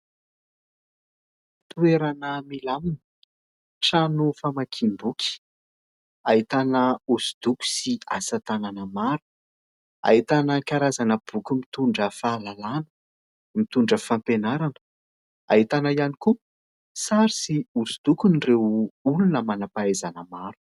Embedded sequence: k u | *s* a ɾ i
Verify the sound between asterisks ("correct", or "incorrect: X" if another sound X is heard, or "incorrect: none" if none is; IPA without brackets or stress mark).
correct